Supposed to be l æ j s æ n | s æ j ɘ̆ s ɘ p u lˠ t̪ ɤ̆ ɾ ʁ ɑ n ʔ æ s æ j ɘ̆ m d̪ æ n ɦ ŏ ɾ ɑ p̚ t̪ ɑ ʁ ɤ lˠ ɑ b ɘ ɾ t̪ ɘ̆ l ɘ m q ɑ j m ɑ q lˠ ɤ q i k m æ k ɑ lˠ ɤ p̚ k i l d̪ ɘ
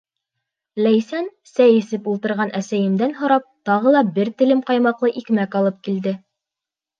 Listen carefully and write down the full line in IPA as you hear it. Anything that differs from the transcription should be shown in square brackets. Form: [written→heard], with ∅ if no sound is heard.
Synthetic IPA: l æ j s æ n | s æ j ɘ̆ s ɘ p u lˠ t̪ ɤ̆ ɾ ʁ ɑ n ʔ æ s æ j ɘ̆ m d̪ æ n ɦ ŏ ɾ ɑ p̚ t̪ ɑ ʁ ɤ lˠ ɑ b ɘ ɾ t̪ ɘ̆ l ɘ m q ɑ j m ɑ q lˠ ɤ [q→ʔ] i k m æ k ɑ lˠ ɤ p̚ k i l d̪ ɘ